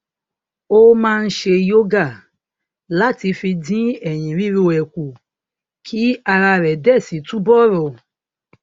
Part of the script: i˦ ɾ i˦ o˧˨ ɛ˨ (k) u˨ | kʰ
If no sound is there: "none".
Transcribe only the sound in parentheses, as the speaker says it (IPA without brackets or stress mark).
k